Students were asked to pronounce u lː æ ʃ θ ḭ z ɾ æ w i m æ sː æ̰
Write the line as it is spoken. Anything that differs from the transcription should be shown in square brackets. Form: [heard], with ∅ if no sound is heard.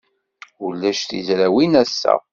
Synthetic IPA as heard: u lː æ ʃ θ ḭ z ɾ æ w i [n] æ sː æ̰